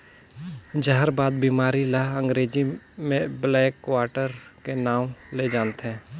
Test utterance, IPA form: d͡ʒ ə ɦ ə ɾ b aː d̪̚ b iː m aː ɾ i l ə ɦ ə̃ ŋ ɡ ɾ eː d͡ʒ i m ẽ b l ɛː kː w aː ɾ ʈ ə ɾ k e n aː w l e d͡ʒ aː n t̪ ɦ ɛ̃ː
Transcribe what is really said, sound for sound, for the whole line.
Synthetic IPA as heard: d͡ʒ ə ɦ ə ɾ b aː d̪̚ b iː m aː ɾ i l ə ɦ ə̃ ŋ ɡ ɾ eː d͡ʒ i m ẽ b l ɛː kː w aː ɾ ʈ ə ɾ k e n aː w l e d͡ʒ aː n t̪ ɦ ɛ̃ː